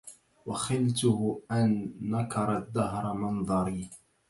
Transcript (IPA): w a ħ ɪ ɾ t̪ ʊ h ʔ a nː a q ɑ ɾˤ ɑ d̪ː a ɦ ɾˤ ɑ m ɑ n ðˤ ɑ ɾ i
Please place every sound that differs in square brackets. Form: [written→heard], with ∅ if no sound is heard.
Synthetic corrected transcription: w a [ħ→x] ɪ [ɾ→l] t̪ ʊ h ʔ a nː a [q→k] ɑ ɾˤ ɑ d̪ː a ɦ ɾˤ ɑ m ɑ n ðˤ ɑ ɾ i